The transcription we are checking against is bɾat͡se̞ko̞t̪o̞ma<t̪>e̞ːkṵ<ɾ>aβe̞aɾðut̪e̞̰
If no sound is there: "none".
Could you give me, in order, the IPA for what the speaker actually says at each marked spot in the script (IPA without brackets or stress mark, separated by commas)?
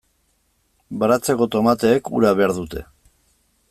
t̪, ɾ